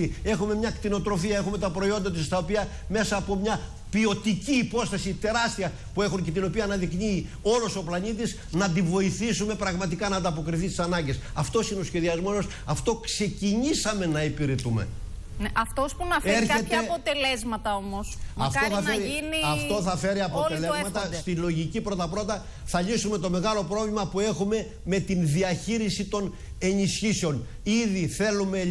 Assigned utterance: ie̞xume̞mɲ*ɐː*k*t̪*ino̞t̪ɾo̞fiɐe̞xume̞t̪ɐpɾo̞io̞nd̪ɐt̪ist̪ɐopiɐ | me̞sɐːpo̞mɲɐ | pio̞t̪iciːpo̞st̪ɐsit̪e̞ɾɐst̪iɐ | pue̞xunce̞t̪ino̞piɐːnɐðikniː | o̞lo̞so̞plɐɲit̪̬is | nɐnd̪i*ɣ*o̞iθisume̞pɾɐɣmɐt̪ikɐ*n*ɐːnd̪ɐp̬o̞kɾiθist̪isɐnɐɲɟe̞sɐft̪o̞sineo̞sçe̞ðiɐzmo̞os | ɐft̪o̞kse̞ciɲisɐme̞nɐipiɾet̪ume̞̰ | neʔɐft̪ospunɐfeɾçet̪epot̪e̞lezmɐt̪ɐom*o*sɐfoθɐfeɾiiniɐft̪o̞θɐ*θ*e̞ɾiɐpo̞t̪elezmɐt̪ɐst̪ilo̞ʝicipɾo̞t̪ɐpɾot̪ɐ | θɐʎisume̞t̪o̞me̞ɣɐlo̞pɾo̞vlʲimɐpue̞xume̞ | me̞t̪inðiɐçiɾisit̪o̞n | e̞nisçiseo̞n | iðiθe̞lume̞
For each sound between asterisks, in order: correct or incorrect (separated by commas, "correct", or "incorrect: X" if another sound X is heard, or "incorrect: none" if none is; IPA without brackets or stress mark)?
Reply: incorrect: ɐ, correct, incorrect: v, correct, correct, incorrect: f